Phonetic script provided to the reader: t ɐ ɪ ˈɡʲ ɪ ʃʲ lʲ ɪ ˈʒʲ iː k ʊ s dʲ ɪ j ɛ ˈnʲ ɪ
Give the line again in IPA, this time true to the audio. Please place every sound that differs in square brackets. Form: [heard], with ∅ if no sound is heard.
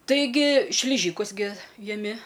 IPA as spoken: t ɐ ɪ ˈɡʲ ɪ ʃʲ lʲ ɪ ˈʒʲ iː k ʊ s [ɡʲ] ɪ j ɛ [ˈmʲ] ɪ